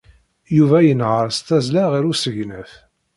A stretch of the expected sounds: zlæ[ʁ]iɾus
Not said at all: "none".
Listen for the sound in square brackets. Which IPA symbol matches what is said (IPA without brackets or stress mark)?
ʁ